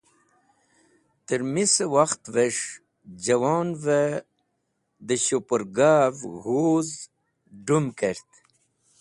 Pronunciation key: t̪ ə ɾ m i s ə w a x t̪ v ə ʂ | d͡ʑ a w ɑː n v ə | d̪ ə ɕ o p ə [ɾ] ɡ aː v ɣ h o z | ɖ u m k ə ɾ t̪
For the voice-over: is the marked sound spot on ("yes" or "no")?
yes